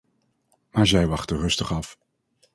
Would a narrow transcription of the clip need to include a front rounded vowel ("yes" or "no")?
no